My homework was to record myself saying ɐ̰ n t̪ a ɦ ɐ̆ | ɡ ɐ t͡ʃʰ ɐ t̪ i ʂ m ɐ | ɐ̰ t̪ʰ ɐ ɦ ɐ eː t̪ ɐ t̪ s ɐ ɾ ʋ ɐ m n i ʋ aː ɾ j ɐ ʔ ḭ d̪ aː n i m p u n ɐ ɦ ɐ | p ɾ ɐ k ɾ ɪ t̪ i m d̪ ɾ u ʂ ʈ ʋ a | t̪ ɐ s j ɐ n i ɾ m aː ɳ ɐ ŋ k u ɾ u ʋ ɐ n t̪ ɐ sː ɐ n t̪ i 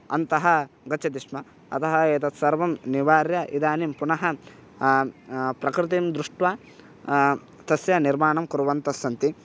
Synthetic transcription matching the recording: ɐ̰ n t̪ ɐ ɦ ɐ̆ | ɡ ɐ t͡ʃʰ ɐ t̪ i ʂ m ɐ | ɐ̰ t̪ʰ ɐ ɦ ɐ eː t̪ ɐ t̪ s ɐ ɾ ʋ ɐ m n i ʋ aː ɾ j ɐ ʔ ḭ d̪ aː n i m p u n ɐ ɦ ɐ | p ɾ ɐ k ɾ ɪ t̪ i m d̪ ɾ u ʂ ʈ ʋ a | t̪ ɐ s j ɐ n i ɾ m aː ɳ ɐ m k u ɾ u ʋ ɐ n t̪ ɐ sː ɐ n t̪ i

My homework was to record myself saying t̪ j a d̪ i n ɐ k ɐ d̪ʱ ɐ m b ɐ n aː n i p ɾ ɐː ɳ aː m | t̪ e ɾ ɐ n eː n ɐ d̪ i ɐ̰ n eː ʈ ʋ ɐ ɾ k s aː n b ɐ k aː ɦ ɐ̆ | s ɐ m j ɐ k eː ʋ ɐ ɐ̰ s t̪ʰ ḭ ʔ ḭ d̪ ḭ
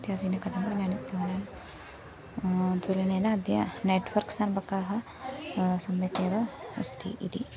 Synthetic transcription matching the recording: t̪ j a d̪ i n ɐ k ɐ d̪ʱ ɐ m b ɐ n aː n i p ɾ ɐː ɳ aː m | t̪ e l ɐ n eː n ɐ d̪ j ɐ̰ n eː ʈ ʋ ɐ ɾ k s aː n b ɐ k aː ɦ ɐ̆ | s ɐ m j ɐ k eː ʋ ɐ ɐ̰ s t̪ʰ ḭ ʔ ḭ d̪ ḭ

